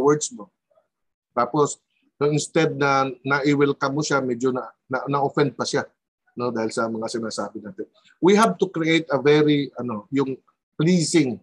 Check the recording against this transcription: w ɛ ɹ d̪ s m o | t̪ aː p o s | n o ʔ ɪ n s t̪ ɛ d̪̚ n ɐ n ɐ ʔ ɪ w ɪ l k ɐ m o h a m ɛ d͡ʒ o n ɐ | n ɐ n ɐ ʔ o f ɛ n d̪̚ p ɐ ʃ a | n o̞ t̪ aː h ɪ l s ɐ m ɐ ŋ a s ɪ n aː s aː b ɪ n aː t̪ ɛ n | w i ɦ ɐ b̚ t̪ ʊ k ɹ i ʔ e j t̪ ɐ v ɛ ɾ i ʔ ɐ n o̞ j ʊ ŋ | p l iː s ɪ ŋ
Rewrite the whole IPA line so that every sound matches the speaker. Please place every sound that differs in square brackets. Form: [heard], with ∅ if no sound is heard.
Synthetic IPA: w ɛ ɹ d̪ s m o | t̪ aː p o s | n o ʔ ɪ n s t̪ ɛ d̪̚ n ɐ n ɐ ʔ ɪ w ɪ l k ɐ m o [ʃ] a m ɛ d͡ʒ o n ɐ | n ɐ n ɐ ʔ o f ɛ n d̪̚ p ɐ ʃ a | n o̞ [d̪] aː h ɪ l s ɐ m ɐ ŋ a s ɪ n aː s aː b ɪ n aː t̪ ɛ n | w i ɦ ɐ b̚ t̪ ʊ k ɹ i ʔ e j t̪ ɐ v ɛ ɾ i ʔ ɐ n o̞ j ʊ ŋ | p l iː s ɪ ŋ